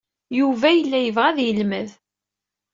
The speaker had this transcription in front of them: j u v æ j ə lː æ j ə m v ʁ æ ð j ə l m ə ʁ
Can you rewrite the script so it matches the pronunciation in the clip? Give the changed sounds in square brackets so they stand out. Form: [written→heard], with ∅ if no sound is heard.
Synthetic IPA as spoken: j u v æ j ə lː æ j ə [m→∅] v ʁ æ ð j ə l m ə [ʁ→ð]